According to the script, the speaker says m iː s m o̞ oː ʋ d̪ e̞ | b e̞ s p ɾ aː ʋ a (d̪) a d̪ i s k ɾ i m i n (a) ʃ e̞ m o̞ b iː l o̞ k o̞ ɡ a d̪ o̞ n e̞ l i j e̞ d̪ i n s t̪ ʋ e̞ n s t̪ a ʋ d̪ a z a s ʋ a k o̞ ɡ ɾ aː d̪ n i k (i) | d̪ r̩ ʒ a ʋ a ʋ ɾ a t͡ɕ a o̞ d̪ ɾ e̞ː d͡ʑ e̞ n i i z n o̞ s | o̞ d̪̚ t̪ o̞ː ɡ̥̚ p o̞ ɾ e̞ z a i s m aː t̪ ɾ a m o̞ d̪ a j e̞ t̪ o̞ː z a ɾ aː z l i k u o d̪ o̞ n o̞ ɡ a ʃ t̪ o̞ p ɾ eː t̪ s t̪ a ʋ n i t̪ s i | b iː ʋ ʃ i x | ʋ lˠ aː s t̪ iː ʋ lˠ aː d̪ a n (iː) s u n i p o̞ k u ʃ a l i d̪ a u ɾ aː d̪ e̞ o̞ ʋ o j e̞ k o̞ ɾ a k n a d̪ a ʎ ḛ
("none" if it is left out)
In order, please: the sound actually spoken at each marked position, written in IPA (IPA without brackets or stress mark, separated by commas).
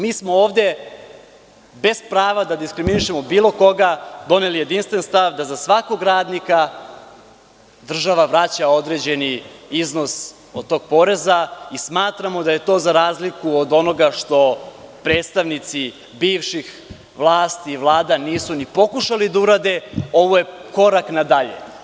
d̪, i, a, iː